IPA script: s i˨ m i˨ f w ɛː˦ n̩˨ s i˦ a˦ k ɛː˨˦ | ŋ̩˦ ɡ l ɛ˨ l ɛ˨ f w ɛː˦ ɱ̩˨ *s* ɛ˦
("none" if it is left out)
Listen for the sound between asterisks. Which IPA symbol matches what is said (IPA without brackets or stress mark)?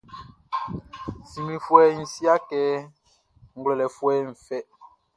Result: f